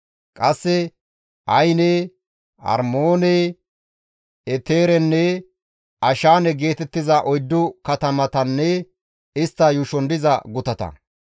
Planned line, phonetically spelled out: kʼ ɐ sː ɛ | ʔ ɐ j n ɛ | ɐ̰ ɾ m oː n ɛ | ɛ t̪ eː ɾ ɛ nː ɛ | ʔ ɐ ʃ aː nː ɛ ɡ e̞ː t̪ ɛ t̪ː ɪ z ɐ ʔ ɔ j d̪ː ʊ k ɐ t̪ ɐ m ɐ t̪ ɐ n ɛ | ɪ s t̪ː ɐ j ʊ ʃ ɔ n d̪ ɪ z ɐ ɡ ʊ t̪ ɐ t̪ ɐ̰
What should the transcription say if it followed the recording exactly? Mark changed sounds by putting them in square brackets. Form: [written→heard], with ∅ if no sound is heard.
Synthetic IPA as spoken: kʼ ɐ sː ɛ | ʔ ɐ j n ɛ | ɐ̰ ɾ m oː n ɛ | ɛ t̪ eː ɾ ɛ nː ɛ | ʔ ɐ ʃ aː [nː→n] ɛ ɡ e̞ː t̪ ɛ t̪ː ɪ z ɐ ʔ ɔ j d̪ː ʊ k ɐ t̪ ɐ m ɐ t̪ ɐ [n→nː] ɛ | ɪ s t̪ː ɐ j ʊ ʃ ɔ n d̪ ɪ z ɐ ɡ ʊ t̪ ɐ t̪ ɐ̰